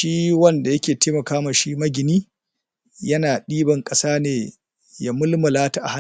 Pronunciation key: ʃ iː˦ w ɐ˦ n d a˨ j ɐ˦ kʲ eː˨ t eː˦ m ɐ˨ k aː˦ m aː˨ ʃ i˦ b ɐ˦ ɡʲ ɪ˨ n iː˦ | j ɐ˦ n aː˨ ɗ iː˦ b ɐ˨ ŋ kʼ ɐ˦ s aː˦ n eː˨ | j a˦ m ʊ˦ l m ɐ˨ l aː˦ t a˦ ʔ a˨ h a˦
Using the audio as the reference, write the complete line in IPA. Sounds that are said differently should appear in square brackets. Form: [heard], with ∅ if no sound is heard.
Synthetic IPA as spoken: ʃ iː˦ w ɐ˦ n d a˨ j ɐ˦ kʲ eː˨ t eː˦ m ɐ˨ k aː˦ m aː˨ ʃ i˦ [m] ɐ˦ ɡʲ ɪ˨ n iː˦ | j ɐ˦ n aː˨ ɗ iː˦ b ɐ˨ ŋ kʼ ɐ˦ s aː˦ n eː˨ | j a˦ m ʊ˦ l m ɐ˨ l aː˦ t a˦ ʔ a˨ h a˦